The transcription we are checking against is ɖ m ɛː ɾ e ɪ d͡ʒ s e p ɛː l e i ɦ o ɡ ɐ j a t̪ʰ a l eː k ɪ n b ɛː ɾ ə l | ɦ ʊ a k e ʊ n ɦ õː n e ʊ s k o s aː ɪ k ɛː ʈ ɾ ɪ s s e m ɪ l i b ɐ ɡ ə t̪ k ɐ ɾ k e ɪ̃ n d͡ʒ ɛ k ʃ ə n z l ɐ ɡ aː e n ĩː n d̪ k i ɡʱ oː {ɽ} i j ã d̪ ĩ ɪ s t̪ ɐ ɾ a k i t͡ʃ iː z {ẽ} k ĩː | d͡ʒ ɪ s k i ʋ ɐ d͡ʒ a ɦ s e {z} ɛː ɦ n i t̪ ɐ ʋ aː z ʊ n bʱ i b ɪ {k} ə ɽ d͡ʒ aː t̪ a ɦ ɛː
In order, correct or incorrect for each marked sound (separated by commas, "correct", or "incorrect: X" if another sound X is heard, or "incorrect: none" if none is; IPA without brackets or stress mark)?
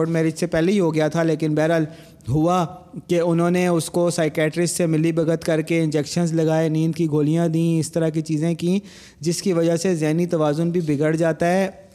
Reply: incorrect: l, correct, correct, incorrect: ɡ